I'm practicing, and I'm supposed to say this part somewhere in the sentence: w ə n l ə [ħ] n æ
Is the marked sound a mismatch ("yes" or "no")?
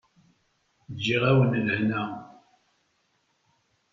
yes